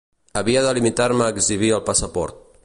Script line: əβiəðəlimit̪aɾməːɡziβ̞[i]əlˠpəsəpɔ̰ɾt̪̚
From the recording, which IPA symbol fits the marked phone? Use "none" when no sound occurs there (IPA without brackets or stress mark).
i